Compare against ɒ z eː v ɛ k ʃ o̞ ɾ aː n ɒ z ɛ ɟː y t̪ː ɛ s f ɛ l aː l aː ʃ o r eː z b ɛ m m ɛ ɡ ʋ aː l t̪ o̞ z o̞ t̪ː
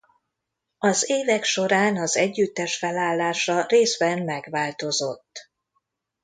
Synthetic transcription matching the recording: ɒ z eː v ɛ k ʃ o̞ ɾ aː n ɒ z ɛ ɟː y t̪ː ɛ ʃ f ɛ l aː lː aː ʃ ɒ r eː z b ɛ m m ɛ ɡ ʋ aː l t̪ o̞ z o̞ t̪ː